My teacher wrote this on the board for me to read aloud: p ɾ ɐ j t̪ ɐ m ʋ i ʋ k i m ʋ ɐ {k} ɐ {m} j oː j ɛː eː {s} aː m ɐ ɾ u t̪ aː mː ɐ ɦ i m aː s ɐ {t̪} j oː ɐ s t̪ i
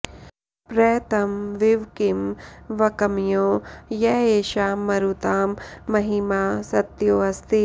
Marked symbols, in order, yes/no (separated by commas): yes, yes, no, yes